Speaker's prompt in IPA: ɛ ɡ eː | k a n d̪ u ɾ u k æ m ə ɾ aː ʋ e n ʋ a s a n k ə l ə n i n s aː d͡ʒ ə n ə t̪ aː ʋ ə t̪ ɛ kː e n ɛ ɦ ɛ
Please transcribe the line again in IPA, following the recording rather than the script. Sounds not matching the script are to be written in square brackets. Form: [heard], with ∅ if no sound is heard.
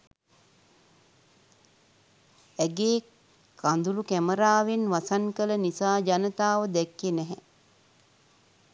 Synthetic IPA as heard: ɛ ɡ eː | k a n d̪ u [l] u k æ m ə ɾ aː ʋ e n ʋ a s a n k ə l ə n i [∅] s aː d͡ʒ [a] n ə t̪ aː ʋ ə [d̪] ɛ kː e n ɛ ɦ ɛ